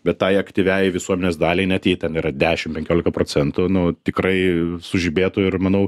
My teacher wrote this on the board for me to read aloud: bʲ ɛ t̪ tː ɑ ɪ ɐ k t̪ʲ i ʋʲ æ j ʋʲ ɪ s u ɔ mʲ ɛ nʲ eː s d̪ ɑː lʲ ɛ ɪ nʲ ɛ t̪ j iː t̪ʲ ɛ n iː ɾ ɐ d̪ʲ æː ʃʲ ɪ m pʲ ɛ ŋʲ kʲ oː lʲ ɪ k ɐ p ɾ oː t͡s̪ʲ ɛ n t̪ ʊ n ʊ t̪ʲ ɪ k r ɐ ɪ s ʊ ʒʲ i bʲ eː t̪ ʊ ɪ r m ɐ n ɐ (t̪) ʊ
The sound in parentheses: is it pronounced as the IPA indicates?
no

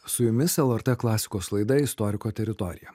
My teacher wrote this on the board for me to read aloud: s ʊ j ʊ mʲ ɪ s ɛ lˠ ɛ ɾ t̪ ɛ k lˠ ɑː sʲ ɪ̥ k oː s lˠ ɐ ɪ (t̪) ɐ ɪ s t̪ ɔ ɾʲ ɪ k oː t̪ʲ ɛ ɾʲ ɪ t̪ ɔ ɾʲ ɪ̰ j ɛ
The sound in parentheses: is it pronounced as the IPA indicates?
no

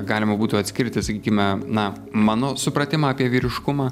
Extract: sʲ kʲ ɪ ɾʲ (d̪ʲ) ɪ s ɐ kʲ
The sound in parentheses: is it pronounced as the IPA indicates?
no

